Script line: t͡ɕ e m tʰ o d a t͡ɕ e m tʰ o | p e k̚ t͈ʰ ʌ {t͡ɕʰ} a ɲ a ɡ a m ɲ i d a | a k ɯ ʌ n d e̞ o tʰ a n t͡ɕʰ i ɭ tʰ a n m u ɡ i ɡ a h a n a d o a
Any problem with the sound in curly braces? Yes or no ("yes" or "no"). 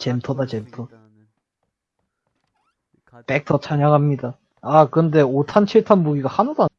no